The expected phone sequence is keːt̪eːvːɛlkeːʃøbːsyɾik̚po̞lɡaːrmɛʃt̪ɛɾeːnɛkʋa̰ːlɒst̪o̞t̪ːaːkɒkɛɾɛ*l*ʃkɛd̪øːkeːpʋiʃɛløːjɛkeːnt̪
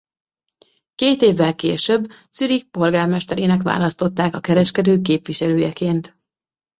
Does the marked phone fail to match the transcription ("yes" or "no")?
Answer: yes